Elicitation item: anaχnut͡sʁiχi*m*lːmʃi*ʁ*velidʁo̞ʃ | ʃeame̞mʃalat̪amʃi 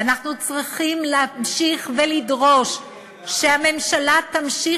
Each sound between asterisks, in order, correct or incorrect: correct, incorrect: χ

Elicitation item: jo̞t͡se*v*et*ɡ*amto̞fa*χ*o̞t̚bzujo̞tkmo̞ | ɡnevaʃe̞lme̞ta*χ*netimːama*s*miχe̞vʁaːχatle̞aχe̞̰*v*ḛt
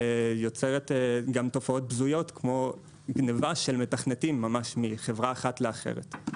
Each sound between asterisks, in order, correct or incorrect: incorrect: ʁ, correct, incorrect: none, correct, incorrect: ʃ, incorrect: ʁ

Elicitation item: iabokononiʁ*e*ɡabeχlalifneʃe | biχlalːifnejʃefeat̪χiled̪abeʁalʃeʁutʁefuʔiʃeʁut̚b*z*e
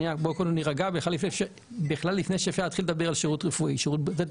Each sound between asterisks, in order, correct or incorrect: incorrect: a, correct

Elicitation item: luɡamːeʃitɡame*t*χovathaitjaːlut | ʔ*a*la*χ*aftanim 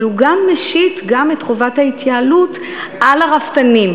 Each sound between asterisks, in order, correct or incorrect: correct, correct, incorrect: ʁ

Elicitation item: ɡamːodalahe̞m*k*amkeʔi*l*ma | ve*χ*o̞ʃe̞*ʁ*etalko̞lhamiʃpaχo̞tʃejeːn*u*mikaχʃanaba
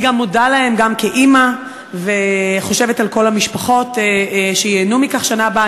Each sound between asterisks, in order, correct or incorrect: incorrect: ɡ, incorrect: none, correct, incorrect: v, correct

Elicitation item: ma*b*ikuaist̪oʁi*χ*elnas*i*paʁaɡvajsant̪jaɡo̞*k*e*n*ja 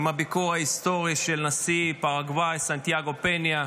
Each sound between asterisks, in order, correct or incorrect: correct, incorrect: ʃ, correct, incorrect: p, correct

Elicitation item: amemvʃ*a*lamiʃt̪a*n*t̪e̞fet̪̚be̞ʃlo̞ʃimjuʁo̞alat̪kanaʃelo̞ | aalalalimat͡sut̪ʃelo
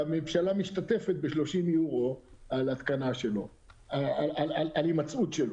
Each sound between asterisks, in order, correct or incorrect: correct, incorrect: none

